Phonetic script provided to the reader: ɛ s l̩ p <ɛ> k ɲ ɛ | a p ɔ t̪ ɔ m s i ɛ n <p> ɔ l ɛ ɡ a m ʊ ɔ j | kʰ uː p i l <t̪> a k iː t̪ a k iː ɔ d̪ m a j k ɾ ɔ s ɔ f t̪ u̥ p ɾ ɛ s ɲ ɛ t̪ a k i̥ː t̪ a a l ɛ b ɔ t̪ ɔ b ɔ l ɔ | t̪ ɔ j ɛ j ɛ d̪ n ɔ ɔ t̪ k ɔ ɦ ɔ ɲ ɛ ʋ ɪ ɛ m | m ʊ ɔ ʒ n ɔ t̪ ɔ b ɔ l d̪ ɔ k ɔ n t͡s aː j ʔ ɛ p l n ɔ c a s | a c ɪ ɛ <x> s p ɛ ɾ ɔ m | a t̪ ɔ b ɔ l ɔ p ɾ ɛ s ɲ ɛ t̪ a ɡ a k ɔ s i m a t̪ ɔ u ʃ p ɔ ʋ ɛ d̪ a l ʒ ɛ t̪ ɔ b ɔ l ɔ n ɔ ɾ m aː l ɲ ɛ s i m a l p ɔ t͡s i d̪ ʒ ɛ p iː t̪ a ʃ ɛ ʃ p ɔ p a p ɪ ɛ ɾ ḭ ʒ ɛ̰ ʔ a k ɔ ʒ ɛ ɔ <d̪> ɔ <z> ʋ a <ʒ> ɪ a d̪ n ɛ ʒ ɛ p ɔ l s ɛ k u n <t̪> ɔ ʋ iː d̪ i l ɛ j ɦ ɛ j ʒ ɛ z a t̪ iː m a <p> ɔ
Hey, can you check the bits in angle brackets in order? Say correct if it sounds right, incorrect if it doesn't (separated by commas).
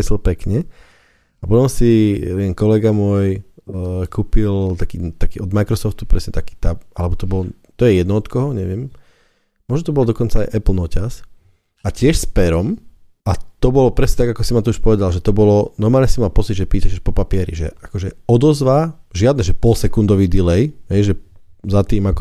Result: correct, incorrect, correct, incorrect, correct, correct, correct, incorrect, incorrect